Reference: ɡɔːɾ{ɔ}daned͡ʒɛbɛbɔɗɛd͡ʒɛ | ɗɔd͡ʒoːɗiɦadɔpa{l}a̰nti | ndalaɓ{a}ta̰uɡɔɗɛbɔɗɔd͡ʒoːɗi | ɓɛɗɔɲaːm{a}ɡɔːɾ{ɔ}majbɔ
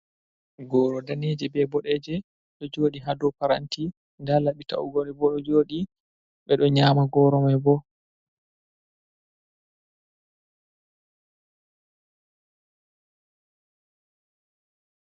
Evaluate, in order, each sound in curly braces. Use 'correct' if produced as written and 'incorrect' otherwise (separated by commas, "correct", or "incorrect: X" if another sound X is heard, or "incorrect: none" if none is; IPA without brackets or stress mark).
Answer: correct, incorrect: ɾ, incorrect: i, correct, correct